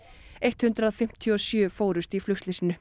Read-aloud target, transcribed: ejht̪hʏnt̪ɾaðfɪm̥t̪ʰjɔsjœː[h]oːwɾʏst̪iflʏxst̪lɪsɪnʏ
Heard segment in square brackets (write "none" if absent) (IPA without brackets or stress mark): f